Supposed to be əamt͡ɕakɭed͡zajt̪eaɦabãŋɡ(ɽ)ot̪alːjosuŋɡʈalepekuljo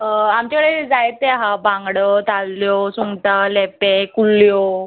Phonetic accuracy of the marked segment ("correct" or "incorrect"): correct